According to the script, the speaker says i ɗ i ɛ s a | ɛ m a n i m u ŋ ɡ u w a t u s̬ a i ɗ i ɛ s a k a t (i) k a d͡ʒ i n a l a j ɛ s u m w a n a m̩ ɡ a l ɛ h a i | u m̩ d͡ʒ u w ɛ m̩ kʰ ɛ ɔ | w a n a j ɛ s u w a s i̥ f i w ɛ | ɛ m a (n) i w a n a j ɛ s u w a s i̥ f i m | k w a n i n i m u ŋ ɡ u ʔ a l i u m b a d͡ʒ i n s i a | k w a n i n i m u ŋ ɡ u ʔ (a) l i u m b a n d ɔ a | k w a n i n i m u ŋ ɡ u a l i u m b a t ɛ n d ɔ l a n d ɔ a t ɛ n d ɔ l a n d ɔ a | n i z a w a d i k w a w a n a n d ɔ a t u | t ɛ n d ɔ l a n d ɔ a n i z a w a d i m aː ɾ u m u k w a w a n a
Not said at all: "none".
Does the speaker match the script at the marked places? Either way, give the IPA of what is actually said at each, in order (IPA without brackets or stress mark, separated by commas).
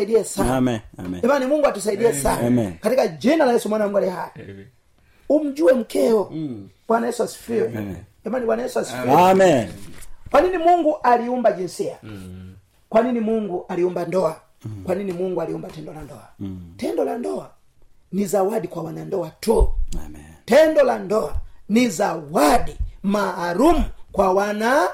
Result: i, n, a